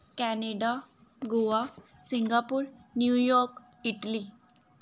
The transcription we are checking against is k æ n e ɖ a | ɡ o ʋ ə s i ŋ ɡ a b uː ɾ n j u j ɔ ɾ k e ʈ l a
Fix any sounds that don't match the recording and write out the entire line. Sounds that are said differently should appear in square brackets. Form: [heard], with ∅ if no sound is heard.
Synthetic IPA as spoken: k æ n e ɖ a | ɡ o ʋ [a] s i ŋ ɡ a [p] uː ɾ n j u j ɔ ɾ k [i] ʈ l [i]

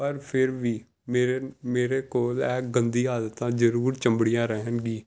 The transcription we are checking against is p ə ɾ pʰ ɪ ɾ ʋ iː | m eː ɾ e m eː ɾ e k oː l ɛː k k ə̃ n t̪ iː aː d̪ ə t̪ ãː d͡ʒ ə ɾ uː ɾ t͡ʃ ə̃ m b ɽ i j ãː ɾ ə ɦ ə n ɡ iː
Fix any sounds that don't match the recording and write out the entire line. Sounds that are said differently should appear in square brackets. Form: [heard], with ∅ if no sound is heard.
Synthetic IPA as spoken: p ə ɾ pʰ ɪ ɾ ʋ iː | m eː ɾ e m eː ɾ e k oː l ɛː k [ɡ] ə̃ n [d̪] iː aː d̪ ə t̪ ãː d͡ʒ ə ɾ uː ɾ t͡ʃ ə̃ m b ɽ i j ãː ɾ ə ɦ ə n ɡ iː

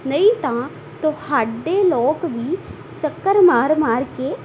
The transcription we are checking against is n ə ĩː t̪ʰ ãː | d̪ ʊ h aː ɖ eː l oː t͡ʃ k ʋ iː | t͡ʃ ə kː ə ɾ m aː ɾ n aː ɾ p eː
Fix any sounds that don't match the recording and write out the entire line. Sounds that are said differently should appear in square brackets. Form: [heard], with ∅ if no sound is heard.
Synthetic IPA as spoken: n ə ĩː [t̪] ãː | [t̪] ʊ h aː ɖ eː l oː [∅] k ʋ iː | t͡ʃ ə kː ə ɾ m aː ɾ [m] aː ɾ [k] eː

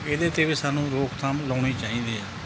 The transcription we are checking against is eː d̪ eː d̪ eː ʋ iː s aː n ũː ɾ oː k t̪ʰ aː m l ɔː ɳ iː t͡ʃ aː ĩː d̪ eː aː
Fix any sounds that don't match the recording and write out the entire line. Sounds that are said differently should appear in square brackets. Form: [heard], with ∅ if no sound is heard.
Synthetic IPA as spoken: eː d̪ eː [t̪] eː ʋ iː s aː n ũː ɾ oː k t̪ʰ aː m l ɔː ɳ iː t͡ʃ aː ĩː d̪ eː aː

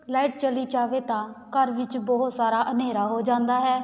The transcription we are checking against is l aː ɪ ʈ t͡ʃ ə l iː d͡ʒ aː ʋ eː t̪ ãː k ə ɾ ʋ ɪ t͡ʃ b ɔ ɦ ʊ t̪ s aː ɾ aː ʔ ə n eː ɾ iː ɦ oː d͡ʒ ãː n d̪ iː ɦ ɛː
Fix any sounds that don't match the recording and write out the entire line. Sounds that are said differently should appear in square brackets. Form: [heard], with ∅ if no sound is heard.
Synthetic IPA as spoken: l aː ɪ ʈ t͡ʃ ə l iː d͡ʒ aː ʋ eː t̪ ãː k ə ɾ ʋ ɪ t͡ʃ b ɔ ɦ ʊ t̪ s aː ɾ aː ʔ ə n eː ɾ [aː] ɦ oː d͡ʒ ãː n d̪ [aː] ɦ ɛː

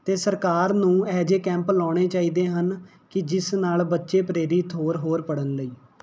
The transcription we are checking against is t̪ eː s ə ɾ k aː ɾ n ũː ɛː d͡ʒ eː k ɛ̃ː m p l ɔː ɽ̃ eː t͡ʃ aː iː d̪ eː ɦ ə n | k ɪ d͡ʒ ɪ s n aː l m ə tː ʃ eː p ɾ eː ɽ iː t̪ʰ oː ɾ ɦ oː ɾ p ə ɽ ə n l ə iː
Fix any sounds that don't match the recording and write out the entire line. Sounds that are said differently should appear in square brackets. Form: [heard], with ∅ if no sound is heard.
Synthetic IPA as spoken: t̪ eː s ə ɾ k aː ɾ n ũː ɛː d͡ʒ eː k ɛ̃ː m p l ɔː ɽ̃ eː t͡ʃ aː iː d̪ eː ɦ ə n | k ɪ d͡ʒ ɪ s n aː l [b] ə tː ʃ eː p ɾ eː [ɾ] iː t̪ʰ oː ɾ ɦ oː ɾ p ə ɽ ə n l ə iː

